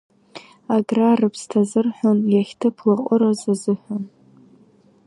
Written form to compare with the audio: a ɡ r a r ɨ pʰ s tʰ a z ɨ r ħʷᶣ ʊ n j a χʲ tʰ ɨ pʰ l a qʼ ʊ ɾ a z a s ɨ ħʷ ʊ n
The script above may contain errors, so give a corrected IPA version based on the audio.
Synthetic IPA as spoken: a ɡ r a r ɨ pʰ s tʰ a z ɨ r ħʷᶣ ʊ n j a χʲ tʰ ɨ pʰ l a qʼ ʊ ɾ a z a z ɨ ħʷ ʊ n